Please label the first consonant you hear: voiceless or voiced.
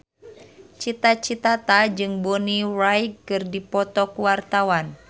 voiceless